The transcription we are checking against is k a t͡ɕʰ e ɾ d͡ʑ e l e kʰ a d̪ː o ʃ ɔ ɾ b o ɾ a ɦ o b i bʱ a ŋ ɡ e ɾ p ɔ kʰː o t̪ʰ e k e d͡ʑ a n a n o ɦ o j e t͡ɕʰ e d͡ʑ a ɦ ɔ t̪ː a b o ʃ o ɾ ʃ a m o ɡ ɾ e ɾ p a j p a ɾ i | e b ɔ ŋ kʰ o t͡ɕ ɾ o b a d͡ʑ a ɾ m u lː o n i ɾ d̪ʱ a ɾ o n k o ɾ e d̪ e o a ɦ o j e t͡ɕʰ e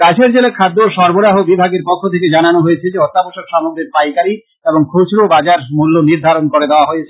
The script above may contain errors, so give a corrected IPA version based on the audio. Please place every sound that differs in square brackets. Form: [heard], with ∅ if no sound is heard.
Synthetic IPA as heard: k a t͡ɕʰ e ɾ d͡ʑ e l e kʰ a d̪ː o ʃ ɔ ɾ b o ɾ a ɦ o b i bʱ a [∅] ɡ e ɾ p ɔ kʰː o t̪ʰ e k e d͡ʑ a n a n o ɦ o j e t͡ɕʰ e d͡ʑ [e] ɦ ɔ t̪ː a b o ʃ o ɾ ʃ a m o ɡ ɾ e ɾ p a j [k] a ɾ i | e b [o] ŋ kʰ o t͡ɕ ɾ o b a d͡ʑ a ɾ m u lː o n i ɾ d̪ʱ a ɾ o n k o ɾ e d̪ e o a ɦ o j e t͡ɕʰ e